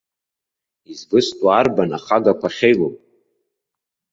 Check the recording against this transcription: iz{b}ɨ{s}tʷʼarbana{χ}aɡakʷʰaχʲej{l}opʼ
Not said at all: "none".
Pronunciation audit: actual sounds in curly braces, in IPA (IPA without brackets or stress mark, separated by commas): b, s, χ, l